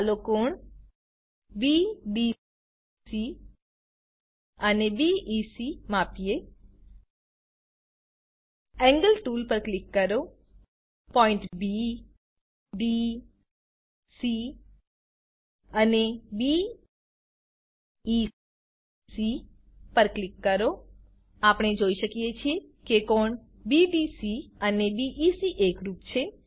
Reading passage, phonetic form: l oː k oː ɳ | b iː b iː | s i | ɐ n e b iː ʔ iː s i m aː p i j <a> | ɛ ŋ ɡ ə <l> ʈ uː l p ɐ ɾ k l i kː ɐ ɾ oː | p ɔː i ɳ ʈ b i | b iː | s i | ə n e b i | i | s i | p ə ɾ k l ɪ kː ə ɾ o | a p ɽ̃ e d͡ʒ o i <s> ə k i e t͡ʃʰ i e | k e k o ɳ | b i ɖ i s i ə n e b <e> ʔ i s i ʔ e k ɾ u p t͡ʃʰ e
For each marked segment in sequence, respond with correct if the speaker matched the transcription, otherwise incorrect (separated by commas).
incorrect, correct, incorrect, incorrect